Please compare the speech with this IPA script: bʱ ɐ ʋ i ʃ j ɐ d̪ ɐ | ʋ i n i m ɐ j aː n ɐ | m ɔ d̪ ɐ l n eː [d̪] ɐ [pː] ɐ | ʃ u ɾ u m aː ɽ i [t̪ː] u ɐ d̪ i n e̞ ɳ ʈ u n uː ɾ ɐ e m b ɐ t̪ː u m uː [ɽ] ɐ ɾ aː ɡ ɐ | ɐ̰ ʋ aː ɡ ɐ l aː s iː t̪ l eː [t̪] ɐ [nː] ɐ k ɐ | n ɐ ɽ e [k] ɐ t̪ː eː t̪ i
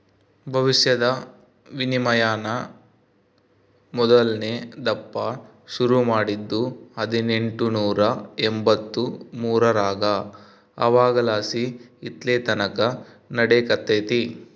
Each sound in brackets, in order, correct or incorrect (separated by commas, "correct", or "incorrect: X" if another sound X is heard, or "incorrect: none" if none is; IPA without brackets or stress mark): correct, correct, incorrect: d̪ː, incorrect: ɾ, correct, incorrect: n, correct